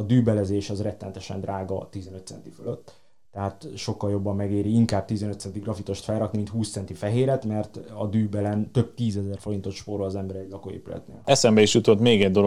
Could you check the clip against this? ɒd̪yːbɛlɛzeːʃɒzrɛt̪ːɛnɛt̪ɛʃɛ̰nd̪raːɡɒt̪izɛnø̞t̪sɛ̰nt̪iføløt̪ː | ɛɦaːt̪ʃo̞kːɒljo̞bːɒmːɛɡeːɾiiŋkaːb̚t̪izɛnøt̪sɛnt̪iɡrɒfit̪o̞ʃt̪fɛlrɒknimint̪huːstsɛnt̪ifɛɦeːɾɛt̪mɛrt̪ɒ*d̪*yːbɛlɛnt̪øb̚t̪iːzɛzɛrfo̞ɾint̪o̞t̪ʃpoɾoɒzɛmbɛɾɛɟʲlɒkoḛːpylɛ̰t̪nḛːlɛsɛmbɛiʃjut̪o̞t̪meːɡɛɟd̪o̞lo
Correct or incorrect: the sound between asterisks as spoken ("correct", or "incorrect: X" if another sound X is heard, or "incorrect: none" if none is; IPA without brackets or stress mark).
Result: correct